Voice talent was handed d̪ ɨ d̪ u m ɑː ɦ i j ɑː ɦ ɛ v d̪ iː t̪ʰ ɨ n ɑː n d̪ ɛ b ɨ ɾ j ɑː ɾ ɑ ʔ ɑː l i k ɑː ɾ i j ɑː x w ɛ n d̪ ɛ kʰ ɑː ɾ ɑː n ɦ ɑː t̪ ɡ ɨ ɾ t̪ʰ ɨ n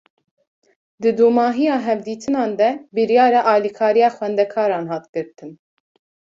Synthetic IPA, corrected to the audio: d̪ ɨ d̪ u m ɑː ɦ i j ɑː ɦ ɛ v d̪ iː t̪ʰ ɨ n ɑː n d̪ ɛ b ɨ ɾ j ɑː ɾ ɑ ʔ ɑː l i kʰ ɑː ɾ i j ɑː x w ɛ n d̪ ɛ kʰ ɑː ɾ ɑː n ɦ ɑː t̪ ɡ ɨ ɾ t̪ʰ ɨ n